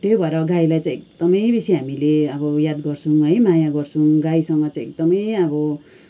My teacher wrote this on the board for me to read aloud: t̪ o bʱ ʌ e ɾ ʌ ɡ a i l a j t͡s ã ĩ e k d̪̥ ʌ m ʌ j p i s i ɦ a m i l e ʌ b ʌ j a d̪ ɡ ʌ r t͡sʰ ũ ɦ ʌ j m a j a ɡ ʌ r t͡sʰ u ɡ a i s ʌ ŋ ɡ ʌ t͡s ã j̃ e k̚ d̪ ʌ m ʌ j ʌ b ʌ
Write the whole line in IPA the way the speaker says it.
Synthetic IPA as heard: t̪ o bʱ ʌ e ɾ ʌ ɡ a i l a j t͡s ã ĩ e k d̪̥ ʌ m ʌ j b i s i ɦ a m i l e ʌ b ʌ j a d̪ ɡ ʌ r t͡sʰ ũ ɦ ʌ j m a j a ɡ ʌ r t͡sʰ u ɡ a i s ʌ ŋ ɡ ʌ t͡s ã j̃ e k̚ d̪ ʌ m ʌ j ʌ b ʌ